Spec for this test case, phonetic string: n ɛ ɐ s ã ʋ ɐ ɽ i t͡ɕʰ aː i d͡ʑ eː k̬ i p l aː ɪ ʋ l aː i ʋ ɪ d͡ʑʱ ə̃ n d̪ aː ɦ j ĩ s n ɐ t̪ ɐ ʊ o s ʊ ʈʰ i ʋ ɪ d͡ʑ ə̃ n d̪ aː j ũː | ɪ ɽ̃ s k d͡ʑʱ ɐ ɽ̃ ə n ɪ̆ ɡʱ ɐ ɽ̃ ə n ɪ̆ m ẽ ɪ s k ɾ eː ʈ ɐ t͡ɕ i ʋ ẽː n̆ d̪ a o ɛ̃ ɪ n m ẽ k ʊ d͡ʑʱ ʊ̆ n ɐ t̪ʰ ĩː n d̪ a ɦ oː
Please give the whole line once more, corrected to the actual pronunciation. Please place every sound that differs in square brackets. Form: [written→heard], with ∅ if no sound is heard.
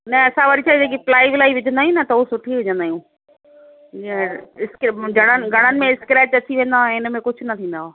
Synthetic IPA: n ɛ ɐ s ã ʋ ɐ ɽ i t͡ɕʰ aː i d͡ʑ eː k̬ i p l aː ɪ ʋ l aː i ʋ ɪ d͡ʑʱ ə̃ n d̪ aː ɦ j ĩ [s→∅] n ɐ t̪ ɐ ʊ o s ʊ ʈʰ i ʋ ɪ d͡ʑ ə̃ n d̪ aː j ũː | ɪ [ɽ̃→∅] s k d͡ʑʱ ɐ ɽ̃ ə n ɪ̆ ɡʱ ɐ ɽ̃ ə n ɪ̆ m ẽ ɪ s k ɾ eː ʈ ɐ t͡ɕ i ʋ ẽː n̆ d̪ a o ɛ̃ ɪ n m ẽ k ʊ d͡ʑʱ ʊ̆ n ɐ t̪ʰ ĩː n d̪ a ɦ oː